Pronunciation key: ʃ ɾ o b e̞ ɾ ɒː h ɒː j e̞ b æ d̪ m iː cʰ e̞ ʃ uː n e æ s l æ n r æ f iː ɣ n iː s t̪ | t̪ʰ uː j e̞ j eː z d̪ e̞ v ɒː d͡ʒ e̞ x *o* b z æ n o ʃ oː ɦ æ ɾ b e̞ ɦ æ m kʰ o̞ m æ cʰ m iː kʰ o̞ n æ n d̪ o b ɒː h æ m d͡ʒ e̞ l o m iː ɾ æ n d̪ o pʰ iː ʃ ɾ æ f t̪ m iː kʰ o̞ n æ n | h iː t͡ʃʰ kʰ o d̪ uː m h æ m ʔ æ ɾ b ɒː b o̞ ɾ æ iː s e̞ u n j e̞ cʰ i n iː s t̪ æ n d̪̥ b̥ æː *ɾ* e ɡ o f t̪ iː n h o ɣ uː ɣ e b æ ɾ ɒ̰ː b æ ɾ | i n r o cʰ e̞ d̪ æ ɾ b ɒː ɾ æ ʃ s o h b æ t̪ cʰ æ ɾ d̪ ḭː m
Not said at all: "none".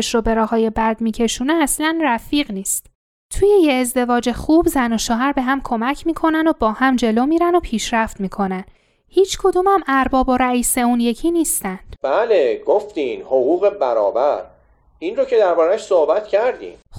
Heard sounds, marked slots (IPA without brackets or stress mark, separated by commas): u, l